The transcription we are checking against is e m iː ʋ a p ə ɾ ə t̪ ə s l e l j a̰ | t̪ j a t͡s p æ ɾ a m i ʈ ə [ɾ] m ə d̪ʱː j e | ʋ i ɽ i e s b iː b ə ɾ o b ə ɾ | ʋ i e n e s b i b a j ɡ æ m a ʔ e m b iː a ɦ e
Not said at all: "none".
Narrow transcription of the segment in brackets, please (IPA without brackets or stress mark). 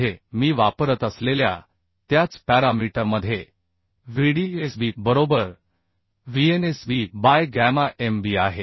ɾ